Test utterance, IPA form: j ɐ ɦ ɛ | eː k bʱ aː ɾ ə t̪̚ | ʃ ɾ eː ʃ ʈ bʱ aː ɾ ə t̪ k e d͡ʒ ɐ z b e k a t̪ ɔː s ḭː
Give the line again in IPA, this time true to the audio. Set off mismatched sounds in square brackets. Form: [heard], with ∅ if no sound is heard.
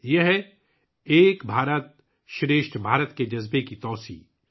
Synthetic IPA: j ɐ ɦ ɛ | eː k bʱ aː ɾ ə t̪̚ | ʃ ɾ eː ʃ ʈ bʱ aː ɾ ə t̪ k e d͡ʒ ɐ z b e k [i] t̪ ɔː s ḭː